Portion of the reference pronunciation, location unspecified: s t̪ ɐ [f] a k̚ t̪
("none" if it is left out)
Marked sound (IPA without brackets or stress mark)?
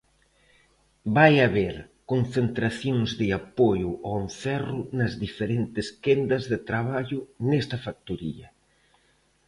f